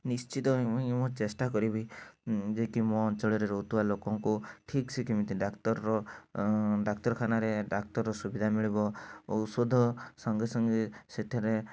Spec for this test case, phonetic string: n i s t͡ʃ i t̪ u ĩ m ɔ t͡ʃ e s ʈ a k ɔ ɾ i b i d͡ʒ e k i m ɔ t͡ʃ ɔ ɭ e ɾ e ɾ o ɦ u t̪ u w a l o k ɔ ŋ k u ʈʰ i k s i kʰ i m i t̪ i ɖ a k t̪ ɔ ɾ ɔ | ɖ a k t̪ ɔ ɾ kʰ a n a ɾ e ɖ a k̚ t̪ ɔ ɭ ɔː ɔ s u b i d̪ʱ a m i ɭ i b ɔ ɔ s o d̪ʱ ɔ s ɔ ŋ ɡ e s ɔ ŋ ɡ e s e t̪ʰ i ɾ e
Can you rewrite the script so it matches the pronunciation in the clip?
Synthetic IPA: n i s t͡ʃ i t̪ ɔ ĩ m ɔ t͡ʃ e s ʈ a k ɔ ɾ i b i d͡ʒ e k i m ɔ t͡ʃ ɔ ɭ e ɾ e ɾ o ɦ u t̪ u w a l o k ɔ ŋ k u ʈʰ i k s i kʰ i m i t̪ i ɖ a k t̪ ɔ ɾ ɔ | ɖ a k t̪ ɔ ɾ kʰ a n a ɾ e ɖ a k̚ t̪ ɔ ɾ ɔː ɔ s u b i d̪ʱ a m i ɭ i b ɔ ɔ s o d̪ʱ ɔ s ɔ ŋ ɡ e s ɔ ŋ ɡ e s e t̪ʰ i ɾ e

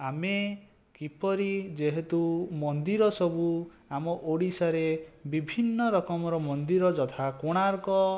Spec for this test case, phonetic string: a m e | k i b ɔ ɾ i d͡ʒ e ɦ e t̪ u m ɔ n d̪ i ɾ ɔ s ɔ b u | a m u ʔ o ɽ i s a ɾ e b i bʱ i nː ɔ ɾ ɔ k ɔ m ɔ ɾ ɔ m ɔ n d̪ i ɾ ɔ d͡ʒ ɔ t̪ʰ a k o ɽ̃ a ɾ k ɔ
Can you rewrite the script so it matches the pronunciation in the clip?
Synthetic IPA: a m e | k i p ɔ ɾ i d͡ʒ e ɦ e t̪ u m ɔ n d̪ i ɾ ɔ s ɔ b u | a m ɔ ʔ o ɽ i s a ɾ e b i bʱ i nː ɔ ɾ ɔ k ɔ m ɔ ɾ ɔ m ɔ n d̪ i ɾ ɔ d͡ʒ ɔ t̪ʰ a k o ɽ̃ a ɾ k ɔ

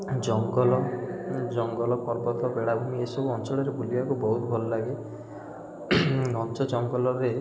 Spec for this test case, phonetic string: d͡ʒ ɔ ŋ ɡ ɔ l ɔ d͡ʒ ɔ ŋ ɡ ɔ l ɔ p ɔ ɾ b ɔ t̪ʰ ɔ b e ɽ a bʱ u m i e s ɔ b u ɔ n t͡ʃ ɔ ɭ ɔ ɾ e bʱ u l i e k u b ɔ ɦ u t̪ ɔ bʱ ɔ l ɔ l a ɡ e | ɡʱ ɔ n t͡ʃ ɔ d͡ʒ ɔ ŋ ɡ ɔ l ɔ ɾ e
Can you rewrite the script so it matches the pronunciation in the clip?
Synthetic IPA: d͡ʒ ɔ ŋ ɡ ɔ l ɔ d͡ʒ ɔ ŋ ɡ ɔ l ɔ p ɔ ɾ b ɔ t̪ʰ ɔ b e ɽ a bʱ u m i e s ɔ b u ɔ n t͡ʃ ɔ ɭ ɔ ɾ e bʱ u l i a k u b ɔ ɦ u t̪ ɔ bʱ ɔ l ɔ l a ɡ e | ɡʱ ɔ n t͡ʃ ɔ d͡ʒ ɔ ŋ ɡ ɔ l ɔ ɾ e

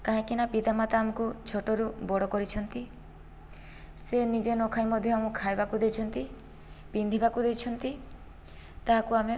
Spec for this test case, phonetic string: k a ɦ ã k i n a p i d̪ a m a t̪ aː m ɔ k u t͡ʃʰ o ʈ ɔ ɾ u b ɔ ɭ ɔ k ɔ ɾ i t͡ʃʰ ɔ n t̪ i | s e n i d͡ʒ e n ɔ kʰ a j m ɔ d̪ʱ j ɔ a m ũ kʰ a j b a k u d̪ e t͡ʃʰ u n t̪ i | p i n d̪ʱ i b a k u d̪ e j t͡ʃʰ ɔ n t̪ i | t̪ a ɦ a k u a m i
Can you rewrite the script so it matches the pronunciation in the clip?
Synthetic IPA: k a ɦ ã k i n a p i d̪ a m a t̪ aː m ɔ k u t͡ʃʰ o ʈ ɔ ɾ u b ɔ ɽ ɔ k ɔ ɾ i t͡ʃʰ ɔ n t̪ i | s e n i d͡ʒ e n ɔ kʰ a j m ɔ d̪ʱ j ɔ a m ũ kʰ a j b a k u d̪ e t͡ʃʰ ɔ n t̪ i | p i n d̪ʱ i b a k u d̪ e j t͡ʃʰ ɔ n t̪ i | t̪ a ɦ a k u a m e

